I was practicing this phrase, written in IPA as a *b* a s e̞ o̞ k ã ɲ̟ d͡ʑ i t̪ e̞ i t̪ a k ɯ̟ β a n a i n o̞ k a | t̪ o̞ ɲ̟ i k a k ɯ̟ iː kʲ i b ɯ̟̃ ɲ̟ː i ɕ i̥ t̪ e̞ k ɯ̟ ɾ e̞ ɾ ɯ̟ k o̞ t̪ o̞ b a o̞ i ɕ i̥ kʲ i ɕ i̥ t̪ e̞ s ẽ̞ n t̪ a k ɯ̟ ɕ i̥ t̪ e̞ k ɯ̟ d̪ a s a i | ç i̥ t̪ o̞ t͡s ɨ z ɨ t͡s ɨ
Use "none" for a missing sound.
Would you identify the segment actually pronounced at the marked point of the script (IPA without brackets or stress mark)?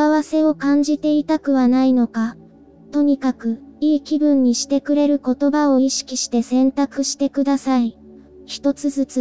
β